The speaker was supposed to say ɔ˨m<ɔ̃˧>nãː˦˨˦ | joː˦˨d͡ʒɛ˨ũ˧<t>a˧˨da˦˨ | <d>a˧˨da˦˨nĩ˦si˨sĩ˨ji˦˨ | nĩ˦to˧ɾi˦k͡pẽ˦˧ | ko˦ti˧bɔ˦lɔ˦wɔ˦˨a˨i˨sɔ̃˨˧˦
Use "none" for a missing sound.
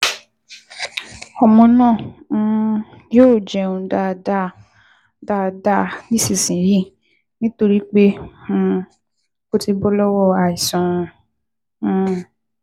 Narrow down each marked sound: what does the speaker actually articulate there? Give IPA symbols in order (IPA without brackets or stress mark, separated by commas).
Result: ɔ̃˧, d, d